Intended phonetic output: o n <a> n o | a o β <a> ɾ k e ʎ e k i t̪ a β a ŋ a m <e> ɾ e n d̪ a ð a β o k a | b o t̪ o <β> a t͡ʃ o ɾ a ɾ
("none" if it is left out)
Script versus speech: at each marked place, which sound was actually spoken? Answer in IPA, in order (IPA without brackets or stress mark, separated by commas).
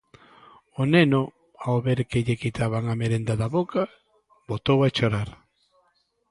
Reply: e, e, e, w